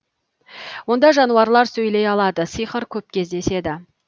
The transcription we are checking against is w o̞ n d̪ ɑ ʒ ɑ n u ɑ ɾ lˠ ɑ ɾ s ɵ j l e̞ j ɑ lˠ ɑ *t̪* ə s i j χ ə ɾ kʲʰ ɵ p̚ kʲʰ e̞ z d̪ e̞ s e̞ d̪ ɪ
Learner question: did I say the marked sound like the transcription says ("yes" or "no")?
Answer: no